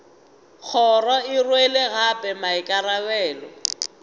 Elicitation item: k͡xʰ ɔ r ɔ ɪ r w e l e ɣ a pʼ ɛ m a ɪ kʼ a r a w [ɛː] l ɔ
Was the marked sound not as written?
no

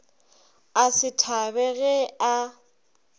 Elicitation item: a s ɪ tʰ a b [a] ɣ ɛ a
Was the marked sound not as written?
yes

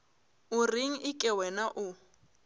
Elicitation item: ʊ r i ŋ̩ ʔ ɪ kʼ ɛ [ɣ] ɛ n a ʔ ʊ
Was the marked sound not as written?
yes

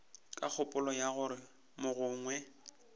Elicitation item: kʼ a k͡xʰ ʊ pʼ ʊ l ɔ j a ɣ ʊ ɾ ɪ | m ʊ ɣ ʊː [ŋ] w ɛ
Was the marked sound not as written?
no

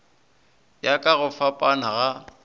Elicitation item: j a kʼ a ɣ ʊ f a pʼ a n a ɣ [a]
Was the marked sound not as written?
no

